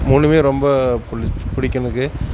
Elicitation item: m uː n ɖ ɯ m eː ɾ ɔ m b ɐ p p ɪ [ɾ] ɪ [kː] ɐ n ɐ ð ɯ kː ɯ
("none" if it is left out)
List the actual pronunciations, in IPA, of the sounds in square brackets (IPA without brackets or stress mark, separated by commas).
ɽ, kː